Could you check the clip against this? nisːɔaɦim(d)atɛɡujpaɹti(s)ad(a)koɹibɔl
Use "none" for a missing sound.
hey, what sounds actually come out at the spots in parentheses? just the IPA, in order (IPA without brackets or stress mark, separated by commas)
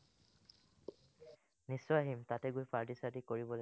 t, s, i